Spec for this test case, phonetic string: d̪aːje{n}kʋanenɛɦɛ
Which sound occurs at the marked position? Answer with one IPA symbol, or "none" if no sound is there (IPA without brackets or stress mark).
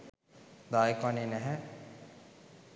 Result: none